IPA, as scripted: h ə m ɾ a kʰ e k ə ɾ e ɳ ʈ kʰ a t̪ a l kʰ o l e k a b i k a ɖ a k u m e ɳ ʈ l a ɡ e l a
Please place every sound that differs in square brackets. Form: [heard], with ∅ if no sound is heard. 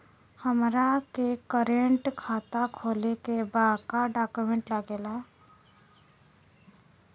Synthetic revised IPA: h ə m ɾ a [k] e k ə ɾ e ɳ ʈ kʰ a t̪ a [∅] kʰ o l e k [e] b [a] k a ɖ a k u m e ɳ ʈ l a ɡ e l a